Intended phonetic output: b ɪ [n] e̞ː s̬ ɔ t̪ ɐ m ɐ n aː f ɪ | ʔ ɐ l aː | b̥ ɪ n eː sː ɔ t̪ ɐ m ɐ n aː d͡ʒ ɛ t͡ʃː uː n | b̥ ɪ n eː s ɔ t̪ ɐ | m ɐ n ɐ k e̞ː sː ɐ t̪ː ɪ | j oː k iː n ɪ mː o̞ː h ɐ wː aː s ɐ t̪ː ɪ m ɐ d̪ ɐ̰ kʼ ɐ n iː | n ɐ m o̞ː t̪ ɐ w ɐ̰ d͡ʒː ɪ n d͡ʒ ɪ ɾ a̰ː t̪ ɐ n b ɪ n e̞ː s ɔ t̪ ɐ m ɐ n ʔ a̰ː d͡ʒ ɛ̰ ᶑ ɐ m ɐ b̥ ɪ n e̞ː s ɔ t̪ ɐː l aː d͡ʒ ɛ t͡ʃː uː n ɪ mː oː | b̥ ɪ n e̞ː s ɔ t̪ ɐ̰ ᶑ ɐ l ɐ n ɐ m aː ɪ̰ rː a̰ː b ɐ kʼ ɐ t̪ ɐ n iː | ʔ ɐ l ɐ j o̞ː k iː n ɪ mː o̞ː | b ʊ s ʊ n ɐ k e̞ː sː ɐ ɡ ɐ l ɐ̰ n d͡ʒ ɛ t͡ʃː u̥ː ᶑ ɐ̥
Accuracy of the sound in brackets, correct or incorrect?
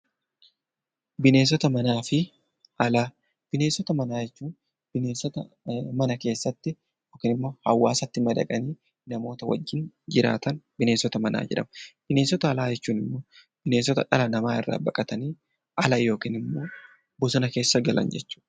correct